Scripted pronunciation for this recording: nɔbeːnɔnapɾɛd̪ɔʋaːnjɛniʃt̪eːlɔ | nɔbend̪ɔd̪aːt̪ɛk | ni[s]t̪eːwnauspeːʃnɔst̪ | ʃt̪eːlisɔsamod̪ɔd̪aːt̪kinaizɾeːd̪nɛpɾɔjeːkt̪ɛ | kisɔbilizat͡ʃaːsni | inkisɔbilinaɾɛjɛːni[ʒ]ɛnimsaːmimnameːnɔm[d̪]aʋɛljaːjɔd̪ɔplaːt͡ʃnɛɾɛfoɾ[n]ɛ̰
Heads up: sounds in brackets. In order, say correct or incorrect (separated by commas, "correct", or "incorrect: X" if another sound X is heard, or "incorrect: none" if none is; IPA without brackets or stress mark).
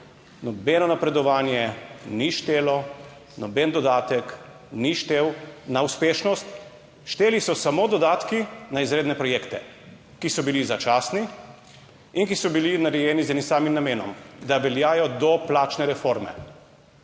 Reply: incorrect: ʃ, incorrect: z, correct, incorrect: m